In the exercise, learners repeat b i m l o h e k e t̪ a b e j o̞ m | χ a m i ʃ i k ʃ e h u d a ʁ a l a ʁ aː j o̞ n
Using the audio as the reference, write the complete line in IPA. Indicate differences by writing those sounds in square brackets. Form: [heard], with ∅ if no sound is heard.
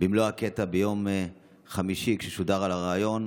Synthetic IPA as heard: b i m l o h [a] k e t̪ a b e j o̞ m | χ a m i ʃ i k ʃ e [ʃ] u d a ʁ a l a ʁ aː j o̞ n